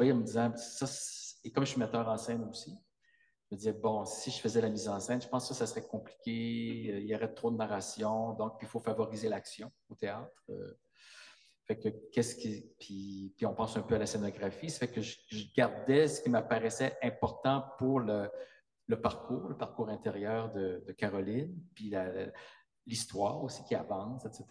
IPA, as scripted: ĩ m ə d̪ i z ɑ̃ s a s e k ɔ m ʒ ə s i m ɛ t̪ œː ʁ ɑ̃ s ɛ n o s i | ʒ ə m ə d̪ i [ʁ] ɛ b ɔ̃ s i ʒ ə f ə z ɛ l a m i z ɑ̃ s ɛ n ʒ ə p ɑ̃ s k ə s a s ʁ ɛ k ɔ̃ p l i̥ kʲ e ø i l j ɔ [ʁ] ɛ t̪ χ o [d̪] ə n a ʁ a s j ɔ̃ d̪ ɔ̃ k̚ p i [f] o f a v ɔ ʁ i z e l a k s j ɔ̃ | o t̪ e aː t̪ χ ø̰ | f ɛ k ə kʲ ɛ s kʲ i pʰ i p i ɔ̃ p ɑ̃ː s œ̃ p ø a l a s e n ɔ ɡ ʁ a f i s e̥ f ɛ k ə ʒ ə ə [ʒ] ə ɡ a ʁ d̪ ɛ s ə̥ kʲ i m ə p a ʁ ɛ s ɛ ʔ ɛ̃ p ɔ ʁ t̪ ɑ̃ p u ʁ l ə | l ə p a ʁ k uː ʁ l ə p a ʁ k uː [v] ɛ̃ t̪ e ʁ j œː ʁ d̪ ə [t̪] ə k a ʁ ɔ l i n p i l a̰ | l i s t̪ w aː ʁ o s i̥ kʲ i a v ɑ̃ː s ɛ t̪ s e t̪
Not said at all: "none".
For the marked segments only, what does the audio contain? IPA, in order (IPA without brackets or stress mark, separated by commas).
z, ʁ, d̪, f, ʒ, ʁ, d̪